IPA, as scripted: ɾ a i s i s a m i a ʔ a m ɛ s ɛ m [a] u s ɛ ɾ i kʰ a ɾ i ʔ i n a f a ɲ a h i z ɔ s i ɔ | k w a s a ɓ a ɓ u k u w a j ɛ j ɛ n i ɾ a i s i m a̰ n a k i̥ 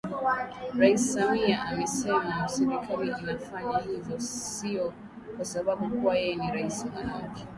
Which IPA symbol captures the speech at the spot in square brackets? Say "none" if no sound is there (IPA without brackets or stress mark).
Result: a